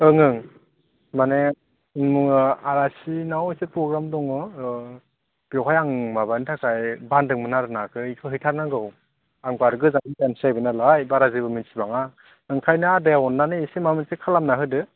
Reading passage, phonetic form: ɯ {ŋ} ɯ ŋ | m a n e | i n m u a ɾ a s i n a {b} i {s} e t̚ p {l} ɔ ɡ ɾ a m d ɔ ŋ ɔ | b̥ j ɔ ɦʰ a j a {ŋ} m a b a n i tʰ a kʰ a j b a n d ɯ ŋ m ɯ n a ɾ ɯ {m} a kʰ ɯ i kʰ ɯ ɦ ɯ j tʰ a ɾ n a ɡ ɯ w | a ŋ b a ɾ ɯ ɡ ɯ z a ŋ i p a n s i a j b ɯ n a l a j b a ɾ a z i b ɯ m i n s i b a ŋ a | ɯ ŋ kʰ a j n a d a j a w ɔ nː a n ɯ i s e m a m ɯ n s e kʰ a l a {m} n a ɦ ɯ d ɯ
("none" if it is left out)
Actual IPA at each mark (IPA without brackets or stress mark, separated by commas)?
ŋ, w, s, ɾ, ŋ, n, m